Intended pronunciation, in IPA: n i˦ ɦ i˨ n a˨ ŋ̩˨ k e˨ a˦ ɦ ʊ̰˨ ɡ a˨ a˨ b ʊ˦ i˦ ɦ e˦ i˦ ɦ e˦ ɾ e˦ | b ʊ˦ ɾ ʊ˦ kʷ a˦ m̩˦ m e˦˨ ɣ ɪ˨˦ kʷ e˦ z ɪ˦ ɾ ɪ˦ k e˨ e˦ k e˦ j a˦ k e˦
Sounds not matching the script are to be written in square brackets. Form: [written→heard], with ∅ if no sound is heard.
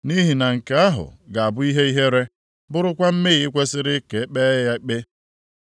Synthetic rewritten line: n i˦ ɦ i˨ n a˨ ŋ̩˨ k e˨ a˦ ɦ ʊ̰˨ ɡ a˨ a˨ b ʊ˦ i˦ ɦ e˦ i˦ ɦ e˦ ɾ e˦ | b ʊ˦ ɾ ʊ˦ kʷ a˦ m̩˦ m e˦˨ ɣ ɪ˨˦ kʷ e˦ [z→s] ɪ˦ ɾ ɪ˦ k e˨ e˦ [k→k͡p] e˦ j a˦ [k→k͡p] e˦